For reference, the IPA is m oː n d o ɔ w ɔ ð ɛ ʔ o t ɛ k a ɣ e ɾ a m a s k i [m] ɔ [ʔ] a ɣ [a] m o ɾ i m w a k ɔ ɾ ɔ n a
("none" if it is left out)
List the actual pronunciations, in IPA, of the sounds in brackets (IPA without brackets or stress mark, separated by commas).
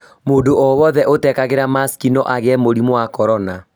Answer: n, ʔ, ɛ